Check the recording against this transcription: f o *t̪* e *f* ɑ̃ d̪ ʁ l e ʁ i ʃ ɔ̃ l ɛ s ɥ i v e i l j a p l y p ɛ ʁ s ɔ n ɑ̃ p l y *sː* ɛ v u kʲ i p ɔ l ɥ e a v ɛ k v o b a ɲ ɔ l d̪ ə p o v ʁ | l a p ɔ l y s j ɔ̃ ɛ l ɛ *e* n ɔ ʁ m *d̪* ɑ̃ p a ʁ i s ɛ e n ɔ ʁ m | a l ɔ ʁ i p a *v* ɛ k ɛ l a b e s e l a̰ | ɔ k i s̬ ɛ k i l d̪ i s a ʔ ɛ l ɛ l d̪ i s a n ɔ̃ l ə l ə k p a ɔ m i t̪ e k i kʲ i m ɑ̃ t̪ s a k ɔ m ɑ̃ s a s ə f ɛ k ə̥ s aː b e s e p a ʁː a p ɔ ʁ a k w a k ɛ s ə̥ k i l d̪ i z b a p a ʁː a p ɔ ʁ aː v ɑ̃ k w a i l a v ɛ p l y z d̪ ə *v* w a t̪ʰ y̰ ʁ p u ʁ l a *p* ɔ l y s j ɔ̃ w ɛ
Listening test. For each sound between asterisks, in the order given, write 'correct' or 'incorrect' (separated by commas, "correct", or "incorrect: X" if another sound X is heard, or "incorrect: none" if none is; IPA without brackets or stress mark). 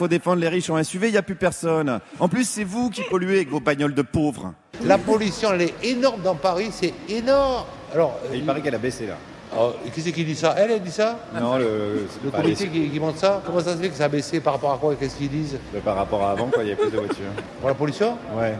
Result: incorrect: d̪, correct, correct, correct, correct, incorrect: ʁ, correct, correct